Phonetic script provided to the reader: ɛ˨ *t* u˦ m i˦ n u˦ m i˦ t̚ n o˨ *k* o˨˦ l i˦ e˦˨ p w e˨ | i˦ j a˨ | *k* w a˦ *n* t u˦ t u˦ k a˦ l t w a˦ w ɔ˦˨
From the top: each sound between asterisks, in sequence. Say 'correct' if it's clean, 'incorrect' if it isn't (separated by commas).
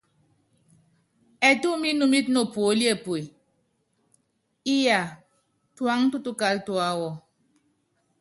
correct, incorrect, incorrect, incorrect